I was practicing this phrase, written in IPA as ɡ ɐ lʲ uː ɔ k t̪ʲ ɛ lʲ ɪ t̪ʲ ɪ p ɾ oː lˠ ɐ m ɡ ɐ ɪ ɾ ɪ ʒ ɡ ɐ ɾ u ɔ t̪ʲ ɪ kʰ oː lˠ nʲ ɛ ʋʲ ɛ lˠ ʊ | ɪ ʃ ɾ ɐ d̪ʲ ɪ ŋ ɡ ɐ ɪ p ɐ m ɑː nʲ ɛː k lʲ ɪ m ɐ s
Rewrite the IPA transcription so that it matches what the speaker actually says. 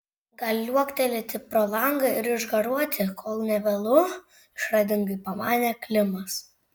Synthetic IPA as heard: ɡ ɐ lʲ u ɔ k t̪ʲ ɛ lʲ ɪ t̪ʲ ɪ p ɾ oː lˠ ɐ ŋ ɡ ɐ ɪ ɾ ɪ ʒ ɡ ɐ ɾ u ɔ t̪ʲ ɪ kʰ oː lˠ nʲ ɛ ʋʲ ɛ lˠ ʊ | ɪ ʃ ɾ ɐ d̪ʲ ɪ ŋ ɡ ɐ ɪ p ɐ m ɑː nʲ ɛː k lʲ ɪ m ɐ s